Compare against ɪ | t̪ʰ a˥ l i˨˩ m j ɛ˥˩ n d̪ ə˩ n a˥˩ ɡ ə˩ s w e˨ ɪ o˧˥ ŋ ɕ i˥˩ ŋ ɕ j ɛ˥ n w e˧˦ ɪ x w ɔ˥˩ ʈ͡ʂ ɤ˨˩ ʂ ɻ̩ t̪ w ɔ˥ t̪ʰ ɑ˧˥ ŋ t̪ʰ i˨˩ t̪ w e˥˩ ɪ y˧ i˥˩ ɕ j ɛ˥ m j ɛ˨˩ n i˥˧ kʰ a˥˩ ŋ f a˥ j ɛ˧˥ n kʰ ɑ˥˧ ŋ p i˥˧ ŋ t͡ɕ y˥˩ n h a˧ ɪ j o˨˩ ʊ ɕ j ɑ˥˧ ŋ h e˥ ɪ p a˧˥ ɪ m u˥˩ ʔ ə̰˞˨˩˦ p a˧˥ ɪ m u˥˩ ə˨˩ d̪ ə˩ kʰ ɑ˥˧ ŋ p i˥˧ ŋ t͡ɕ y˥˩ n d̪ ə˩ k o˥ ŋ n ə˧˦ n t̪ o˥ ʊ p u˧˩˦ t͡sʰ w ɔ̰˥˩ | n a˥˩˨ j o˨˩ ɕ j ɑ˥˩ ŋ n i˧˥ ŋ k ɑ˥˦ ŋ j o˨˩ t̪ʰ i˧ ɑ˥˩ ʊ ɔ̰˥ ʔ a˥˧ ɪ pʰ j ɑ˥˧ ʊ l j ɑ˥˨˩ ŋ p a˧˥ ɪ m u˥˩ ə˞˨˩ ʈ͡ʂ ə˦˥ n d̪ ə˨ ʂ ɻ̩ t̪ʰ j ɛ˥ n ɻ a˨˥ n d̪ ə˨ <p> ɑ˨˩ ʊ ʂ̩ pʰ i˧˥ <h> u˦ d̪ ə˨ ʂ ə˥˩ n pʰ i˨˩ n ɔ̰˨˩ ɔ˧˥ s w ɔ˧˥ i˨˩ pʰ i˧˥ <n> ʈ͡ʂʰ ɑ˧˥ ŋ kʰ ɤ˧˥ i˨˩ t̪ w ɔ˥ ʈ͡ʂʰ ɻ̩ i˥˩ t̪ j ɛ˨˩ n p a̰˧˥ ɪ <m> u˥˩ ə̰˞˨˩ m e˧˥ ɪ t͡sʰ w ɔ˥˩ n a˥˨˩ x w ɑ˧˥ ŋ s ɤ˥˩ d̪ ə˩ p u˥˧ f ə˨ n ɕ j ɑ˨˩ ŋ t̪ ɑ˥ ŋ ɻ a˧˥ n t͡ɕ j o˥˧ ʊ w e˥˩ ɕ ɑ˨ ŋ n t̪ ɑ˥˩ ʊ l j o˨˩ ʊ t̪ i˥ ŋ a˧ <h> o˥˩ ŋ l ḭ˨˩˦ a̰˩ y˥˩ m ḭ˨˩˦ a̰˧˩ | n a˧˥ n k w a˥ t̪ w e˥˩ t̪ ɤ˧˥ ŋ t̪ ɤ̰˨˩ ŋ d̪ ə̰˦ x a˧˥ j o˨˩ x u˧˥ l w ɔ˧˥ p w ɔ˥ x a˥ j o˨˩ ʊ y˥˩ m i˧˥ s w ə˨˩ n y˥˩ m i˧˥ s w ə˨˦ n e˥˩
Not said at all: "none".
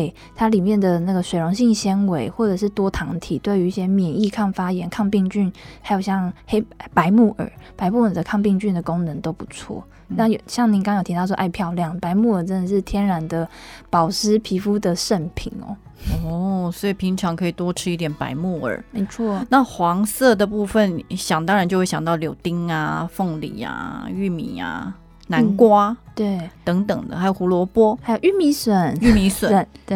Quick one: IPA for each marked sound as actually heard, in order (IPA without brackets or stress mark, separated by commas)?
p, f, ŋ, m, f